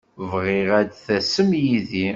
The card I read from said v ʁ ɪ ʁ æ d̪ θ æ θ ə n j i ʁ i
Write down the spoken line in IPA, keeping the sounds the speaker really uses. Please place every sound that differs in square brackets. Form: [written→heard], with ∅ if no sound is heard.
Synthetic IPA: v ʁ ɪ ʁ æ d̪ θ æ [θ→s] ə [n→m] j i [ʁ→ð] i